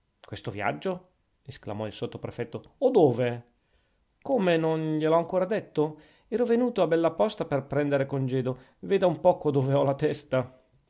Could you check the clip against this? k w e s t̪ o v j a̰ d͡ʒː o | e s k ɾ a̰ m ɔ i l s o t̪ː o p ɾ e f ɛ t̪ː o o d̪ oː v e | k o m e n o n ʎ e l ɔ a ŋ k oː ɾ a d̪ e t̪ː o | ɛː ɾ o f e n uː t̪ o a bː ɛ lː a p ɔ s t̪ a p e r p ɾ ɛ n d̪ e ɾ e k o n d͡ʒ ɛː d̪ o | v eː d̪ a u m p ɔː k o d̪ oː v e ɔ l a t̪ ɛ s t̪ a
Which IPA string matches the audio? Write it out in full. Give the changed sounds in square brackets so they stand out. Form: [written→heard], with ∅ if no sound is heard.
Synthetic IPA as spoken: k w e s t̪ o v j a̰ d͡ʒː o | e s k [ɾ→l] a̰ m ɔ i l s o t̪ː o p ɾ e f ɛ t̪ː o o d̪ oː v e | k o m e n o n ʎ e l ɔ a ŋ k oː ɾ a d̪ e t̪ː o | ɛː ɾ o [f→v] e n uː t̪ o a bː ɛ lː a p ɔ s t̪ a p e r p ɾ ɛ n d̪ e ɾ e k o n d͡ʒ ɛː d̪ o | v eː d̪ a u m p ɔː k o d̪ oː v e ɔ l a t̪ ɛ s t̪ a